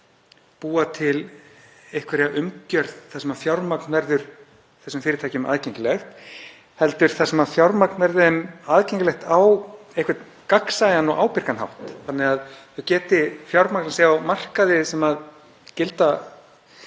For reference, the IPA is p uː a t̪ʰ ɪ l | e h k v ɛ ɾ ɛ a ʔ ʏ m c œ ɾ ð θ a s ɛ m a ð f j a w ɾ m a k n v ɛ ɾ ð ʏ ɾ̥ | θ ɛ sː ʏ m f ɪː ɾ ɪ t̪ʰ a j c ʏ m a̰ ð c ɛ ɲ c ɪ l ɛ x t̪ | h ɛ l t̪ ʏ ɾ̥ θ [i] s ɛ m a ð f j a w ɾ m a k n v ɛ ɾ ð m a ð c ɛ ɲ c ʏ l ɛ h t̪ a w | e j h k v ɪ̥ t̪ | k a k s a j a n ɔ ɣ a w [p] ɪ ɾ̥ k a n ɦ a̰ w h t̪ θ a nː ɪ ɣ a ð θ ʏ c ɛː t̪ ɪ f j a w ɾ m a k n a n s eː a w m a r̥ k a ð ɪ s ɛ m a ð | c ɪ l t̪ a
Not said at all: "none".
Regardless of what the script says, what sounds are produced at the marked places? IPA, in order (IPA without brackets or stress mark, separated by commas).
a, p